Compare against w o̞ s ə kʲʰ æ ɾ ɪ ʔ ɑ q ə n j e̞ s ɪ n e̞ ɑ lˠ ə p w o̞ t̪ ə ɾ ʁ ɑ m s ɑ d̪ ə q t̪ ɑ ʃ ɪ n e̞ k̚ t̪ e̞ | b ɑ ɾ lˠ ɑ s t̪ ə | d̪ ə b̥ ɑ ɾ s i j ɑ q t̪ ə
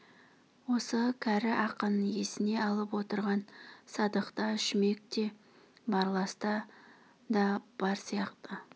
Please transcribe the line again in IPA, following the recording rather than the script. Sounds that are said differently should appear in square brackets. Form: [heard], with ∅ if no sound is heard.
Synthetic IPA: w o̞ s ə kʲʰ æ ɾ ɪ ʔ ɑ q ə n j e̞ s ɪ n e̞ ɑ lˠ ə p w o̞ t̪ ə ɾ ʁ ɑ [n] s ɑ d̪ ə q t̪ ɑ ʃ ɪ [m] e̞ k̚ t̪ e̞ | b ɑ ɾ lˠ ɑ s t̪ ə | d̪ [ɑ] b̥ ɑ ɾ s i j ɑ q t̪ ə